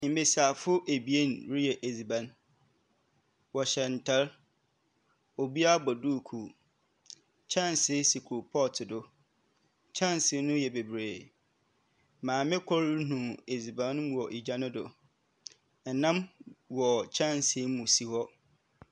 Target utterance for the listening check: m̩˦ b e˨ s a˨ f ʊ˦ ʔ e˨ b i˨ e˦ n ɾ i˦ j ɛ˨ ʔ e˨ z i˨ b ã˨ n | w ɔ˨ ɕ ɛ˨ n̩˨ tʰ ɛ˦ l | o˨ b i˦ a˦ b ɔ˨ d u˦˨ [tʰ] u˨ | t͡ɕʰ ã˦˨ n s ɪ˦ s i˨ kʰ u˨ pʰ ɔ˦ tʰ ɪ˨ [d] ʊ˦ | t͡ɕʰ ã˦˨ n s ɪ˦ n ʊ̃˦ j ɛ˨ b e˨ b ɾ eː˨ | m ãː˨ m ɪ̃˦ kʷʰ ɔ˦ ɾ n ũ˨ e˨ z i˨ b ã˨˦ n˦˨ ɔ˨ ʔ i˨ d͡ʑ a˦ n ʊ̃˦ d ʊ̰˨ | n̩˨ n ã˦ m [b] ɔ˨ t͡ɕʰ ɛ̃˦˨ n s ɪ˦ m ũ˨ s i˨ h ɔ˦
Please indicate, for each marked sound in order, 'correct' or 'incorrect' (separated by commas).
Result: incorrect, correct, incorrect